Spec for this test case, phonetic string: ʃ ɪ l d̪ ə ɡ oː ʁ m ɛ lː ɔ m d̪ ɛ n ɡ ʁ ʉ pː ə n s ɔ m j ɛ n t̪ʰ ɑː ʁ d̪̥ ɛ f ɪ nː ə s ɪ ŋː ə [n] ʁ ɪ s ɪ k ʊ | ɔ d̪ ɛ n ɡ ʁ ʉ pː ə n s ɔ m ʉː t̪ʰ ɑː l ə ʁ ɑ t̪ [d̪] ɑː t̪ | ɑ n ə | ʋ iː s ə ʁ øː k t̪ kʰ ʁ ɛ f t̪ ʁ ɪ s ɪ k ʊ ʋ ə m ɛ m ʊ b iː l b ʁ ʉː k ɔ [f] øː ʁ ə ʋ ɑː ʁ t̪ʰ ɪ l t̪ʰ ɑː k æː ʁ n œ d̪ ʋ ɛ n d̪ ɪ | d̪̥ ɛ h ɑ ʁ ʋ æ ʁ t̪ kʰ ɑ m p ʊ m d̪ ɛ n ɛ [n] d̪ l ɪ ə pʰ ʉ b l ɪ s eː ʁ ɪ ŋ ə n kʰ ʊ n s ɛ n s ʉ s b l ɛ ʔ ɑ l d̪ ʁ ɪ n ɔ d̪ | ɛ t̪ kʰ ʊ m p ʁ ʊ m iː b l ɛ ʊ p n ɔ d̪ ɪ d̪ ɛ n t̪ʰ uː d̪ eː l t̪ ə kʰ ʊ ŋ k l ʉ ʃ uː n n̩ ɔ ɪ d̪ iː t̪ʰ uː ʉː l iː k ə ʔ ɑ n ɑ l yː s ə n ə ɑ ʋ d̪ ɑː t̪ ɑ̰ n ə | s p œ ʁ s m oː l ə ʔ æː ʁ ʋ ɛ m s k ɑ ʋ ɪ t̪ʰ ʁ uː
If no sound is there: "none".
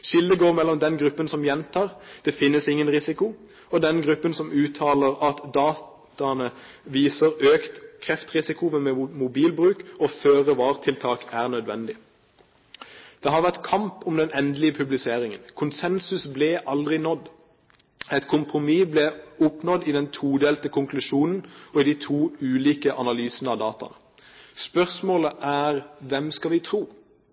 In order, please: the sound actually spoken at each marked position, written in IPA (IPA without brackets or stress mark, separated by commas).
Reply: n, d̪, f, n